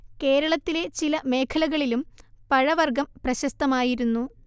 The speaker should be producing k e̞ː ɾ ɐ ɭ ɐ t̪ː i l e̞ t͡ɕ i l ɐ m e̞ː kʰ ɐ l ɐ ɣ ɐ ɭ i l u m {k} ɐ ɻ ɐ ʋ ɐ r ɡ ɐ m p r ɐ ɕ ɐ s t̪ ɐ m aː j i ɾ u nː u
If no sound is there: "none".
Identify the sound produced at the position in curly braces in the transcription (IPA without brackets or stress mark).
p